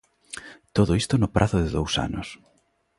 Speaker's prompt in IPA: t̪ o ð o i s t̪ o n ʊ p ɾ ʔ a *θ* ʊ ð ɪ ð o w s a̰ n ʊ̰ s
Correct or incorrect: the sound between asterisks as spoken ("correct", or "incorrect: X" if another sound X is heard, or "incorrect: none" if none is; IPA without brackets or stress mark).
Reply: correct